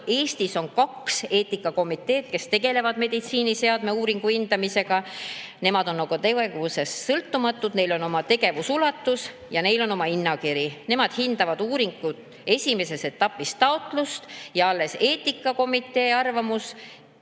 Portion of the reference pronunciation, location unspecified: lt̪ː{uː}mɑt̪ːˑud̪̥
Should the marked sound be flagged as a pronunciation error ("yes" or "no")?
yes